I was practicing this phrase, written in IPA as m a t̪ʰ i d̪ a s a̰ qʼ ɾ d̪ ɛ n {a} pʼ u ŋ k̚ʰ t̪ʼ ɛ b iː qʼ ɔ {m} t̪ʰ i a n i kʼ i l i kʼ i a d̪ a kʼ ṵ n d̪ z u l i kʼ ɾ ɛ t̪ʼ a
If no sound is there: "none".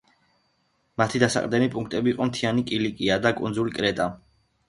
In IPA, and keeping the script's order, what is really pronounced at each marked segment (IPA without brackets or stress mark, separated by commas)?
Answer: i, m